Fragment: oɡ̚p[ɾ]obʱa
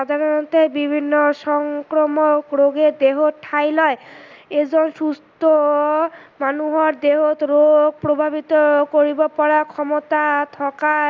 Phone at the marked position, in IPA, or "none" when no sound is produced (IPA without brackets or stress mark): ɾ